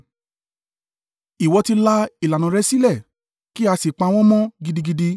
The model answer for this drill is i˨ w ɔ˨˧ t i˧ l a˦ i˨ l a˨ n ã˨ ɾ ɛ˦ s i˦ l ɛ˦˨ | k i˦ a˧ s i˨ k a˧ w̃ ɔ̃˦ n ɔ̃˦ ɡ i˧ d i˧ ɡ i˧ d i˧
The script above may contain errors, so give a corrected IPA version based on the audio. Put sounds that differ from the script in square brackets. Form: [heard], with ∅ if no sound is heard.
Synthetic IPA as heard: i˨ w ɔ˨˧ t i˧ l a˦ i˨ l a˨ n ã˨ ɾ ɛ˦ s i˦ l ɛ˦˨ | k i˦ a˧ s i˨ [k͡p] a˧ w̃ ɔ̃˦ [m] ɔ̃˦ ɡ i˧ d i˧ ɡ i˧ d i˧